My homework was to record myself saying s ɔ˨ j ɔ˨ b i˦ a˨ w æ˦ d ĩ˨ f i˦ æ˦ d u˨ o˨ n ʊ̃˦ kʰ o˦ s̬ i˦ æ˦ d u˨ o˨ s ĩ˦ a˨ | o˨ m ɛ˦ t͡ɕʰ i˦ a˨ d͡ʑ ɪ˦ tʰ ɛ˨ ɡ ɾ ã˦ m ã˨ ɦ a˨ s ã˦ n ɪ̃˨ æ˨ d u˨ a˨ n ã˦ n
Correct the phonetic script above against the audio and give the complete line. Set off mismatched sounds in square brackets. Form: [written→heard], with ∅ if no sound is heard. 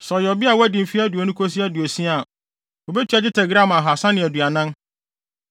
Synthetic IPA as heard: s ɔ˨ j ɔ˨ b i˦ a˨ w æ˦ d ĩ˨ f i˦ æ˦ d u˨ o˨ n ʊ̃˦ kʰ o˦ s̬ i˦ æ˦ d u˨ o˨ s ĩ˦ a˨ | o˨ [m→b] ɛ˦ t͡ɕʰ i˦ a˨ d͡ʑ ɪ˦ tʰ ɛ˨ ɡ ɾ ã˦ m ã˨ ɦ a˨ s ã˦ n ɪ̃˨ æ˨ d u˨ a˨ n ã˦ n